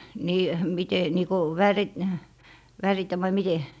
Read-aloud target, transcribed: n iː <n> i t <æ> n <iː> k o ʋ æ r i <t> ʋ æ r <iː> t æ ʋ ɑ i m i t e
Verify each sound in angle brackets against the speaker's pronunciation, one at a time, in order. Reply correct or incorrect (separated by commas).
incorrect, incorrect, correct, correct, incorrect